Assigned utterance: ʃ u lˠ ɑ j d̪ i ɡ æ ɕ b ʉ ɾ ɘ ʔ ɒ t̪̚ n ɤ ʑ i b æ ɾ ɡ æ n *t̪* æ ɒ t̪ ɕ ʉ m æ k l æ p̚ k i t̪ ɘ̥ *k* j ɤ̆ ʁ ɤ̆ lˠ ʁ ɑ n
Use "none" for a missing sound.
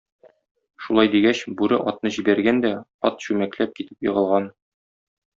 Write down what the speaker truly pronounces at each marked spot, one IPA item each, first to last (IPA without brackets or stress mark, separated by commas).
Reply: d̪, p